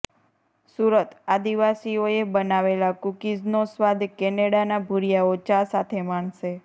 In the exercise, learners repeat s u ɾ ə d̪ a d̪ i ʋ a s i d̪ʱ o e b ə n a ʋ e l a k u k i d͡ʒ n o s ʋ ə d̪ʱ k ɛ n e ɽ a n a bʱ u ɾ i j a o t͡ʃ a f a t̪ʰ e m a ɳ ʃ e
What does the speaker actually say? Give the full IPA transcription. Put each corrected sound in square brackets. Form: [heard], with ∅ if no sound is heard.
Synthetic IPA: s u ɾ ə [t̪] a d̪ i ʋ a s i [∅] o e b ə n a ʋ e l a k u k i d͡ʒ n o s ʋ [a] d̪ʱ k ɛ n e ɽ a n a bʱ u ɾ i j a o t͡ʃ a [s] a t̪ʰ e m a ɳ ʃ e

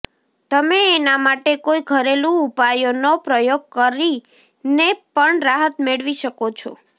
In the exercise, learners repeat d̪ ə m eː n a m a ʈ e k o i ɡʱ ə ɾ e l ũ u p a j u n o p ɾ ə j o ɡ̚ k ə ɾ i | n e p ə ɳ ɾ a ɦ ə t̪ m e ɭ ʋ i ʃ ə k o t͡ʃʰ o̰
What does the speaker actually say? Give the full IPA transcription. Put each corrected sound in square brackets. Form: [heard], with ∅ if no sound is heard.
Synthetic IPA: [t̪] ə m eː n a m a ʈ e k o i ɡʱ ə ɾ e l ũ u p a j [o] n o p ɾ ə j o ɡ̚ k ə ɾ i | n e p ə ɳ ɾ a ɦ ə t̪ m e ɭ ʋ i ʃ ə k o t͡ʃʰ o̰

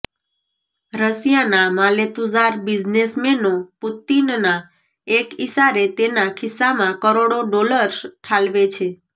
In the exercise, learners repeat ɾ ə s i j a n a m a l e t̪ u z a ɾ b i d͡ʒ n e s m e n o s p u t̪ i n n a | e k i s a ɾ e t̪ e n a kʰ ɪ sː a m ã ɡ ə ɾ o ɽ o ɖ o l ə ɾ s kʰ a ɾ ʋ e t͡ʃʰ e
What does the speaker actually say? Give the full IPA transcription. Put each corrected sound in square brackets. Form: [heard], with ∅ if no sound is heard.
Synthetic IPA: ɾ ə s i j a n a m a l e t̪ u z a ɾ b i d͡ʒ n e s m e n o [∅] p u t̪ i n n a | e k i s a ɾ e t̪ e n a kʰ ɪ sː a m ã [k] ə ɾ o ɽ o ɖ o l ə ɾ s [ʈʰ] a [l] ʋ e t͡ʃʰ e

